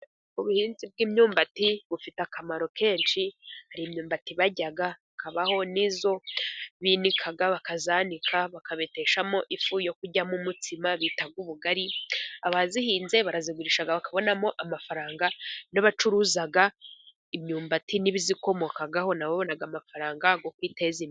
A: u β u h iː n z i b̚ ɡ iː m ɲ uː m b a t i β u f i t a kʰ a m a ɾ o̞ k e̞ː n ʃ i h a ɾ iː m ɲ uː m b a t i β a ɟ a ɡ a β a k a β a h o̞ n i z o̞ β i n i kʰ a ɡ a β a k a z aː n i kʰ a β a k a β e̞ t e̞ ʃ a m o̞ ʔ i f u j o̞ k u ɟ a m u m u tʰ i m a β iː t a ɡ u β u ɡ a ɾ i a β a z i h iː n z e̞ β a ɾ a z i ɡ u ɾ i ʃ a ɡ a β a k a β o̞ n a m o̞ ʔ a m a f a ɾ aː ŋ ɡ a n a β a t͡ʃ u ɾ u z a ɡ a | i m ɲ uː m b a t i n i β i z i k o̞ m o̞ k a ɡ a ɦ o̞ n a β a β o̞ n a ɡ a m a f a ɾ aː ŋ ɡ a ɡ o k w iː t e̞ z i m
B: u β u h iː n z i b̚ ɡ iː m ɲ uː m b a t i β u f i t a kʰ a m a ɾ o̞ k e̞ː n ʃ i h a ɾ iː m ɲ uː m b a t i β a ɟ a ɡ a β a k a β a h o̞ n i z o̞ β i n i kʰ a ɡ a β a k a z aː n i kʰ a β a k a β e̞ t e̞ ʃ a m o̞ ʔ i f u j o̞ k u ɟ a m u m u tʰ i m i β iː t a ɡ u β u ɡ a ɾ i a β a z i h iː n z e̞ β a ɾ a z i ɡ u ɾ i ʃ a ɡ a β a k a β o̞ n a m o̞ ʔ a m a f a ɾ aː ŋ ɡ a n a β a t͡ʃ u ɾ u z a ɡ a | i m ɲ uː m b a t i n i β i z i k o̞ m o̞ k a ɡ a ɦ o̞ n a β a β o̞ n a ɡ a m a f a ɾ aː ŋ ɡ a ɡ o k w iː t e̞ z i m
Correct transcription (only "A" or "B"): A